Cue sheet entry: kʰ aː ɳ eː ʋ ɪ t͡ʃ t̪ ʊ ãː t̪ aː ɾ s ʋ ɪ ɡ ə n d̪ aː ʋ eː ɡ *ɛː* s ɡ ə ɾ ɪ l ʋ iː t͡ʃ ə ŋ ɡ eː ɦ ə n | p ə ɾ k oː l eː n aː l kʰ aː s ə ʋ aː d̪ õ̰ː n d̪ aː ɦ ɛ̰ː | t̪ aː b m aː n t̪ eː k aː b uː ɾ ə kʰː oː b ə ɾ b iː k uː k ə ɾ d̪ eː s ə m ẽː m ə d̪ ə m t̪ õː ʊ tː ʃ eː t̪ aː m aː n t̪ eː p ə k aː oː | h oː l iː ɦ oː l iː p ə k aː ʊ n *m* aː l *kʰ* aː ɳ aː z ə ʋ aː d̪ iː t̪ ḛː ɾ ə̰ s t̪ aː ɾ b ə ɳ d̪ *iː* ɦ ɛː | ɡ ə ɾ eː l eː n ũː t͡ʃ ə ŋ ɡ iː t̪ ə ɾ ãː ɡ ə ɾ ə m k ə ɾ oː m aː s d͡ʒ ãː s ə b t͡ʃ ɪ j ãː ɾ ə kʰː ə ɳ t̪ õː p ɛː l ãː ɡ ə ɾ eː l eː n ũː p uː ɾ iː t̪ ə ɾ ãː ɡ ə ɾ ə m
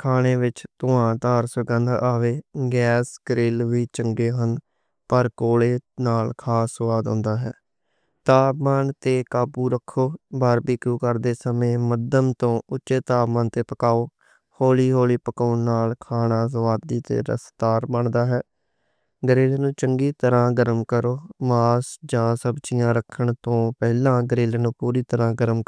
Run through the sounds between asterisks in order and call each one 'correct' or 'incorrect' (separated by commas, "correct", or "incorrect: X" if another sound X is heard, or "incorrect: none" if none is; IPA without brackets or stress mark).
correct, incorrect: n, correct, incorrect: aː